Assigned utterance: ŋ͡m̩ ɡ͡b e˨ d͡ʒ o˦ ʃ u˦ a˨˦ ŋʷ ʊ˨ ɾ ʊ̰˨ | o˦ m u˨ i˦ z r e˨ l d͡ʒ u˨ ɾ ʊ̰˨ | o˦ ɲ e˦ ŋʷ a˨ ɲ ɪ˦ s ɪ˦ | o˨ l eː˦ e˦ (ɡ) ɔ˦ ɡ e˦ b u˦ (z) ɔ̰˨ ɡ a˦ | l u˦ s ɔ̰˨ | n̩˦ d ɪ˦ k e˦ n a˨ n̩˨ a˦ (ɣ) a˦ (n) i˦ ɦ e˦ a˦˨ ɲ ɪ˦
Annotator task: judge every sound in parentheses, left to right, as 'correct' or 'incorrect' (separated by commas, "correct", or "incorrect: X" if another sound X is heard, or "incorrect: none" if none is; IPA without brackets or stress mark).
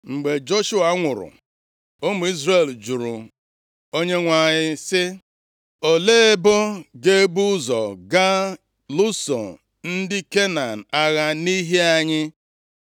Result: incorrect: b, correct, correct, correct